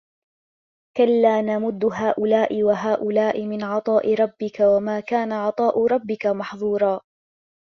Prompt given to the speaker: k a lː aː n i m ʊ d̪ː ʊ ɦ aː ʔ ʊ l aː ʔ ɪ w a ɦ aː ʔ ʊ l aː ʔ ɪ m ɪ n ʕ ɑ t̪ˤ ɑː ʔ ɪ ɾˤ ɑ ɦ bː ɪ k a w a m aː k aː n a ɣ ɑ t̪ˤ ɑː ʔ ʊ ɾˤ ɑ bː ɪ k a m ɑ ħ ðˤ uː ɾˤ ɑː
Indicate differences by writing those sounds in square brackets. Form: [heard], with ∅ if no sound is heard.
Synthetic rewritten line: k a lː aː n [a] m ʊ d̪ː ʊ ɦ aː ʔ ʊ l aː ʔ ɪ w a ɦ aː ʔ ʊ l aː ʔ ɪ m ɪ n ʕ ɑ t̪ˤ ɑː ʔ ɪ ɾˤ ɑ [∅] bː ɪ k a w a m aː k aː n a [ʕ] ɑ t̪ˤ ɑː ʔ ʊ ɾˤ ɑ bː ɪ k a m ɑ ħ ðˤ uː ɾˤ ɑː